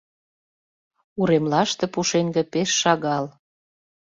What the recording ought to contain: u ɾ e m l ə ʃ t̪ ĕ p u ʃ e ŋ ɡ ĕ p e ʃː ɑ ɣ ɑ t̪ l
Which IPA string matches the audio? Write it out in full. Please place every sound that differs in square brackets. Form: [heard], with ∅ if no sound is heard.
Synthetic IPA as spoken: u ɾ e m l [ɑ] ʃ t̪ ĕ p u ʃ e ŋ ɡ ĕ p e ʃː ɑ ɣ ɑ [∅] l